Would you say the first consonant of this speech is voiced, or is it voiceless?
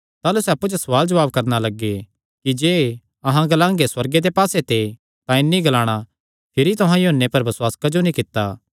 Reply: voiceless